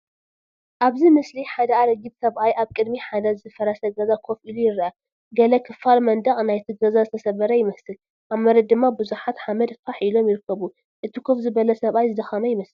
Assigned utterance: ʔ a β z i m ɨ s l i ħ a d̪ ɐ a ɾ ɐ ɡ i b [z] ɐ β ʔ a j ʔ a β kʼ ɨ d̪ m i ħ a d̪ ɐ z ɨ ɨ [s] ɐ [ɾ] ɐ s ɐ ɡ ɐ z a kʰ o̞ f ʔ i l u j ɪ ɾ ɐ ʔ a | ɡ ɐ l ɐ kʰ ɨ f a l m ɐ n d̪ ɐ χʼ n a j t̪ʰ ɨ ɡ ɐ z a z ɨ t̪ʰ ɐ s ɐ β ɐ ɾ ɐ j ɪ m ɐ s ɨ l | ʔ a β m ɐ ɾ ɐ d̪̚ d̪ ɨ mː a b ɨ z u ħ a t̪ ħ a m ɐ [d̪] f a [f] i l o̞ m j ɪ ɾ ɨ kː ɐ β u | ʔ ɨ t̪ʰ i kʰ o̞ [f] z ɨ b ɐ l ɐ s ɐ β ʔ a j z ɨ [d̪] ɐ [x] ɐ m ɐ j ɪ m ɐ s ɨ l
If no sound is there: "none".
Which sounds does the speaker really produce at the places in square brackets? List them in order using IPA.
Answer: s, f, ɾ, d̪, ħ, f, d̪, x

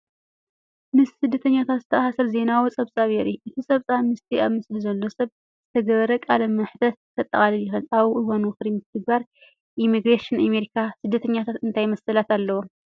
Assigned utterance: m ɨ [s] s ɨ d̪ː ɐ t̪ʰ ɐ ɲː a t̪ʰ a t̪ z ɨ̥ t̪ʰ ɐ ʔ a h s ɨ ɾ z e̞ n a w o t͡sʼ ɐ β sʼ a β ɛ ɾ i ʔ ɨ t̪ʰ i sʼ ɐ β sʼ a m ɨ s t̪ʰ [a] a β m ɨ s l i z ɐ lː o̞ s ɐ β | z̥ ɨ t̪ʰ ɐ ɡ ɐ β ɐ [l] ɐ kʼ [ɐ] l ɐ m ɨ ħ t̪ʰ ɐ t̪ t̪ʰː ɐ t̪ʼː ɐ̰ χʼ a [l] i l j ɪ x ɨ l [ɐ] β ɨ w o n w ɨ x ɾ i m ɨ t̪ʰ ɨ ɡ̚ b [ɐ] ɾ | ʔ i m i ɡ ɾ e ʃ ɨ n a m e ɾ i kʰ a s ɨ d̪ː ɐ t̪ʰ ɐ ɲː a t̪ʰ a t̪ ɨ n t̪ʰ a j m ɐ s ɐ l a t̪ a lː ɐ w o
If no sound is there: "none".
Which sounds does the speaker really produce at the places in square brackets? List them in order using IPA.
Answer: s, i, ɾ, a, l, a, a

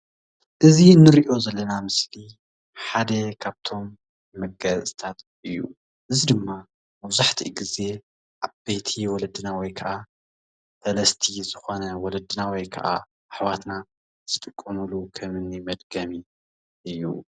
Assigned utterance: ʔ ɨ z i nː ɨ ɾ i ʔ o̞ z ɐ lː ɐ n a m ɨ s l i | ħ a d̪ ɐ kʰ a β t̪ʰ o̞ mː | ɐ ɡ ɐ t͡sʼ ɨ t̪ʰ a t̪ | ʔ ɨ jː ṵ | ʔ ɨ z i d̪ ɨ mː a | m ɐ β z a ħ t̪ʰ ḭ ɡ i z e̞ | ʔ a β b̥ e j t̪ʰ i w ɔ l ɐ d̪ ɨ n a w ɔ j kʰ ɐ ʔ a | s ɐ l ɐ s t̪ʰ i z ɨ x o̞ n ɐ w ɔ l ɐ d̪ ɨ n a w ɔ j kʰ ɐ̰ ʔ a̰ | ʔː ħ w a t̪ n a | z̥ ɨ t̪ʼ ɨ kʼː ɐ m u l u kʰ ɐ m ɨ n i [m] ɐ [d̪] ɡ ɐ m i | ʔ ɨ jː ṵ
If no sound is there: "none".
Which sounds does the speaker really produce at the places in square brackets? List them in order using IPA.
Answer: m, d̪

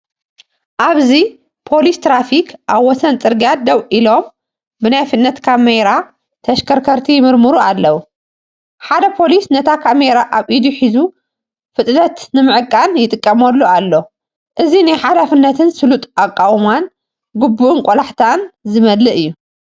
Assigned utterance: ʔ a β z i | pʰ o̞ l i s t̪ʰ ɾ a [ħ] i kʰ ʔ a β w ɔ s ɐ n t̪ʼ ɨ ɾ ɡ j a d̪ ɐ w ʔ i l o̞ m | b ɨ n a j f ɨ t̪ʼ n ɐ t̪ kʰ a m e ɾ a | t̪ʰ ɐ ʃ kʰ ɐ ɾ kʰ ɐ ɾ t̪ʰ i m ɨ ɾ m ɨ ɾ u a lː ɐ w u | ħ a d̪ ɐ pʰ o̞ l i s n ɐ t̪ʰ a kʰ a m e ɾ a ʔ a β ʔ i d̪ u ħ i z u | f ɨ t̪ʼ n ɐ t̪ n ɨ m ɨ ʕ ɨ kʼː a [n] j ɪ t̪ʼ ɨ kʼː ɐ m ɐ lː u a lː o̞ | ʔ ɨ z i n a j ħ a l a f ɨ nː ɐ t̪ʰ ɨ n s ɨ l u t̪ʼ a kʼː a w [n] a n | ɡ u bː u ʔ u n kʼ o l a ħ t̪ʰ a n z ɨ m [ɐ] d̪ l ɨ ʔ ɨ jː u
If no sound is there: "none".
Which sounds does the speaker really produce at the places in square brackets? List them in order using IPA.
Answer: f, n, m, ɐ

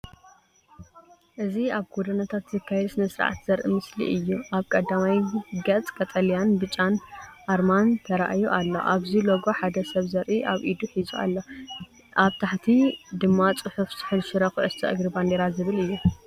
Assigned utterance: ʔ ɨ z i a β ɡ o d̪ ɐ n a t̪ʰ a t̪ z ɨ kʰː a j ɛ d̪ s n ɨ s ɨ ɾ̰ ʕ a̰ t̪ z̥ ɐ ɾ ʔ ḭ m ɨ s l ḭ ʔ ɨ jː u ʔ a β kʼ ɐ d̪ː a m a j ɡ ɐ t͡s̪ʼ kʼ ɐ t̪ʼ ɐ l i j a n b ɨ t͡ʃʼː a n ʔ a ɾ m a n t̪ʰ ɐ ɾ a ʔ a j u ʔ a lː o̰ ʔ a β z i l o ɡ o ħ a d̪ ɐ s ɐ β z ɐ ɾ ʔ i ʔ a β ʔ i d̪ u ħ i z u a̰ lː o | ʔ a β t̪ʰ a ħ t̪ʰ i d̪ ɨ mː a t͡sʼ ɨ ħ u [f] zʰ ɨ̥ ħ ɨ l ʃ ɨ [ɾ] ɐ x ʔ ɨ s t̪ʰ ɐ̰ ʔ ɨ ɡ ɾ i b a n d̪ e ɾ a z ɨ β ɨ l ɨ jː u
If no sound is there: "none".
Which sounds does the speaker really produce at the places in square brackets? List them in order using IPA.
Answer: f, ɾ

